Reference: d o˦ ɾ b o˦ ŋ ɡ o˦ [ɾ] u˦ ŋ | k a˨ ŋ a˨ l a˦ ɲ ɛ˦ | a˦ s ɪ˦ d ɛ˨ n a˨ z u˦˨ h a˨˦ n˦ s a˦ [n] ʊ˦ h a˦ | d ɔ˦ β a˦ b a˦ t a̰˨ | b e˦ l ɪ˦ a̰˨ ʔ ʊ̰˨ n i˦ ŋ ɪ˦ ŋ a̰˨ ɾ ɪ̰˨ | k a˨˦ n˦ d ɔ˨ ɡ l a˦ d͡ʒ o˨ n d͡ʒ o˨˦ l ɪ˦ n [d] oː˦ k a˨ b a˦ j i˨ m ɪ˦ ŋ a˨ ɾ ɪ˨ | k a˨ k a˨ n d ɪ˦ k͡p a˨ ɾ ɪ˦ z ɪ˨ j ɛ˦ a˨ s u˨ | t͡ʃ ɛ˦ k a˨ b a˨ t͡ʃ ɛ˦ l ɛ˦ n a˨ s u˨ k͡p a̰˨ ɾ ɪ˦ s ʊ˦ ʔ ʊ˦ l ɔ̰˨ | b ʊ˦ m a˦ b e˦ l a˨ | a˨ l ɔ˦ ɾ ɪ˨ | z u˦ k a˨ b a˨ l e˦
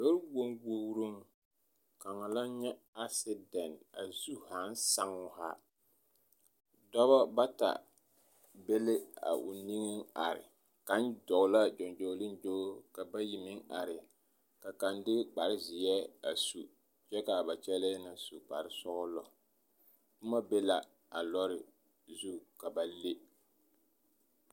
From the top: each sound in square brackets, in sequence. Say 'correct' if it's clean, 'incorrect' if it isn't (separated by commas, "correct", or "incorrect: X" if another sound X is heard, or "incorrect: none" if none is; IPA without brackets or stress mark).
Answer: correct, incorrect: ŋ, incorrect: d͡ʒ